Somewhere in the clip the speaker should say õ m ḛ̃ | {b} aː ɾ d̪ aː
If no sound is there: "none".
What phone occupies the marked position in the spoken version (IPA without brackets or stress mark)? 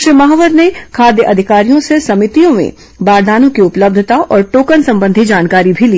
b